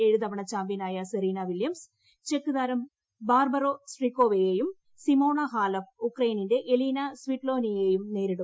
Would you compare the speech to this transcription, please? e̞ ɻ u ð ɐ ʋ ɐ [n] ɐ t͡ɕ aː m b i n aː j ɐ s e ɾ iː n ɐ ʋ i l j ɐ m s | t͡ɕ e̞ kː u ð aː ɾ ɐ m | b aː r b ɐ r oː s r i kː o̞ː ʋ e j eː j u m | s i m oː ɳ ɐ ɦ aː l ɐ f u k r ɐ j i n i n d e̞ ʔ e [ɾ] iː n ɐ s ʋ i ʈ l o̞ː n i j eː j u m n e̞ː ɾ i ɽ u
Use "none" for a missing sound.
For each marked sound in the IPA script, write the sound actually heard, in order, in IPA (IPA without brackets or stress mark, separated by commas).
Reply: ɳ, l